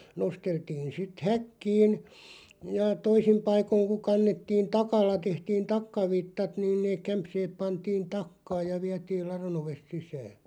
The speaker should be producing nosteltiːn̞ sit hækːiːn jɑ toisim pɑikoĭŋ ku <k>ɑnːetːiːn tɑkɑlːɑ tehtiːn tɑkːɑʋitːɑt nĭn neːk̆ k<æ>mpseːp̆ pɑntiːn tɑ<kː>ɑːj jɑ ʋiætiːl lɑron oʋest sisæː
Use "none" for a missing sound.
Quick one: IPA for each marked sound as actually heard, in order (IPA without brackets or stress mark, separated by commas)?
k, æ, kː